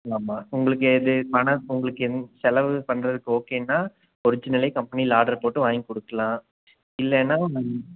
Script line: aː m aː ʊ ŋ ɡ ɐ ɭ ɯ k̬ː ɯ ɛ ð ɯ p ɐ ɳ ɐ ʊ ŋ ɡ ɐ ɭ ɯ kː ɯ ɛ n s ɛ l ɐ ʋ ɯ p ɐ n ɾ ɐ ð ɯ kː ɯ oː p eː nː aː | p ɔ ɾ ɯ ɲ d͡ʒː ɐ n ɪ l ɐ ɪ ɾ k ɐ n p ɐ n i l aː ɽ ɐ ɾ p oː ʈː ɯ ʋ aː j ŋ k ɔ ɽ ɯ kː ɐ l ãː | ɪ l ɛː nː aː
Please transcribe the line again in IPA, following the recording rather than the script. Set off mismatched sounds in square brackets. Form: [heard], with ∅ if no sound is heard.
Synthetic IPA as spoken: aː m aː ʊ ŋ ɡ ɐ ɭ ɯ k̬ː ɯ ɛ ð ɯ p ɐ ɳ ɐ ʊ ŋ ɡ ɐ ɭ ɯ kː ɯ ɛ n s ɛ l ɐ ʋ ɯ p ɐ n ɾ ɐ ð ɯ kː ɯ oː [k] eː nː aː | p ɔ ɾ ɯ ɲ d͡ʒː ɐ n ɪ l ɐ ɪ [∅] k ɐ [m] p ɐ n i l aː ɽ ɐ ɾ p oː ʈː ɯ ʋ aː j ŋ k ɔ ɽ ɯ kː ɐ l ãː | ɪ [lː] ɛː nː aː